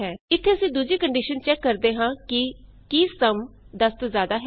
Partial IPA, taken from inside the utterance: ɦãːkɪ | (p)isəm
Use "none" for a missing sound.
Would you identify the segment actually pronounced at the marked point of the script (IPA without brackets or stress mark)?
k